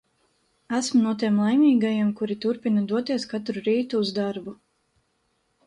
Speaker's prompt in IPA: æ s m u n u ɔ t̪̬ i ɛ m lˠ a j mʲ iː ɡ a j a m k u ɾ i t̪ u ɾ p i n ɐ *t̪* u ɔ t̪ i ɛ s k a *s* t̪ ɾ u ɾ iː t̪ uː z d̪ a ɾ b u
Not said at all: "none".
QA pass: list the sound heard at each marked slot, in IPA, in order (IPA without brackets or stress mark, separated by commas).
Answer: d̪, none